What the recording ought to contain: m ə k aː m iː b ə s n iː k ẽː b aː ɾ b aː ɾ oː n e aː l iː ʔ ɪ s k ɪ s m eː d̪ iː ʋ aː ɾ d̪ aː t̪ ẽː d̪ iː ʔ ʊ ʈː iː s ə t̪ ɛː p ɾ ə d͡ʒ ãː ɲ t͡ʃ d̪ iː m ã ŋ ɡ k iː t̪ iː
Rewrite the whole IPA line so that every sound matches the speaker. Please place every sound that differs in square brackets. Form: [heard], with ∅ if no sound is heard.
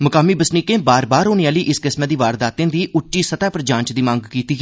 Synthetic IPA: m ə k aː m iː b ə s n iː k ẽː b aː ɾ b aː ɾ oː n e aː l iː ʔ ɪ s k ɪ s m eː d̪ iː ʋ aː ɾ d̪ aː t̪ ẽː d̪ iː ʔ ʊ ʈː iː s ə t̪ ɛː p ɾ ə d͡ʒ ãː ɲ t͡ʃ d̪ iː m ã ŋ ɡ k iː t̪ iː